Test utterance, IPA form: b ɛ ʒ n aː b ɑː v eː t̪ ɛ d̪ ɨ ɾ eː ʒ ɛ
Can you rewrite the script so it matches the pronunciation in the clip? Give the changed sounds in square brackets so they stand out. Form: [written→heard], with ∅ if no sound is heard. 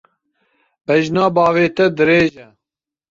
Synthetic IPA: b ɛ ʒ n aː b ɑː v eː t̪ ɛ d̪ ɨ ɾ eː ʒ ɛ